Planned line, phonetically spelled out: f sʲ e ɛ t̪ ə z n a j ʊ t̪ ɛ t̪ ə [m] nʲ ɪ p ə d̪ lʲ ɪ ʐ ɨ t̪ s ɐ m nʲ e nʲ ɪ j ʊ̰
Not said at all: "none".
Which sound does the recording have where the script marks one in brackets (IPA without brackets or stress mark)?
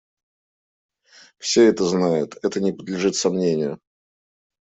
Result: none